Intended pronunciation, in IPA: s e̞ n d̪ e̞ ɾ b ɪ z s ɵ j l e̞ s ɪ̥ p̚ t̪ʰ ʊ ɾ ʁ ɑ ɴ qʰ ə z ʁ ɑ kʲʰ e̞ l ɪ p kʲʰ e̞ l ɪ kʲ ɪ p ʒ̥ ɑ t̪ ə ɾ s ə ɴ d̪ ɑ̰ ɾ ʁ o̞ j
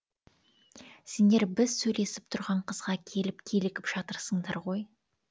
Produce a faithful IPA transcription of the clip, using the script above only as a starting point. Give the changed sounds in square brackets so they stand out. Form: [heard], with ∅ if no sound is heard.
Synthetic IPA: s e̞ n d̪ e̞ ɾ b ɪ z s ɵ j l e̞ s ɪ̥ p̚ t̪ʰ ʊ ɾ ʁ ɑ ɴ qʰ ə z ʁ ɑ kʲʰ e̞ l ɪ p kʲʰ e̞ l ɪ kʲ ɪ p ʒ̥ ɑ t̪ ə ɾ s ə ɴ d̪ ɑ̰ ɾ ʁ o̞ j